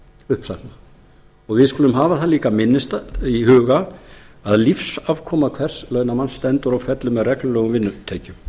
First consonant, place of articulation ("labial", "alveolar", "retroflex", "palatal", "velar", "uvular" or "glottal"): glottal